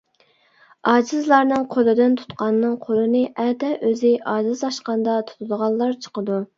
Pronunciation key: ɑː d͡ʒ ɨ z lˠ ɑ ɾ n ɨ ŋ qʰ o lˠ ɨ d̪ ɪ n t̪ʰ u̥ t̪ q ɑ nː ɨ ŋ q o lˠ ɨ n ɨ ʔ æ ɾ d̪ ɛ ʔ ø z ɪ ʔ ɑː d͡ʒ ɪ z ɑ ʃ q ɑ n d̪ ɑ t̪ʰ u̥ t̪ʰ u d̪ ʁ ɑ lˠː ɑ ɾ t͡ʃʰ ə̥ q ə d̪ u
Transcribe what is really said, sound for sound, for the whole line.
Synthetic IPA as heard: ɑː d͡ʒ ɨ z lˠ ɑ ɾ n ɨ ŋ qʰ o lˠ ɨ d̪ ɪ n t̪ʰ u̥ t̪ q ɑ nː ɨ ŋ qʰ o lˠ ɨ n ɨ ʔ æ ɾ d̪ ɛ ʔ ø z ɪ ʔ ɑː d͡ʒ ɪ z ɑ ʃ q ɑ n d̪ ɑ t̪ʰ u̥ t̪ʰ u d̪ ʁ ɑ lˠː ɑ ɾ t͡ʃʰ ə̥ q ə d̪ u